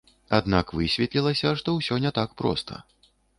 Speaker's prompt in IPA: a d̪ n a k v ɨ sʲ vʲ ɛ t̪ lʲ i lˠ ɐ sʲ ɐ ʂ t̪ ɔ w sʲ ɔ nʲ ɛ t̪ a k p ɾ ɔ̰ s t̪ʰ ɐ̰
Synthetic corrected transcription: a d̪ n a k v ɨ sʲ vʲ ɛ t̪ lʲ i lˠ ɐ sʲ ɐ ʂ t̪ ɔ w sʲ ɔ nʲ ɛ t̪ a k p ɾ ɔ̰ s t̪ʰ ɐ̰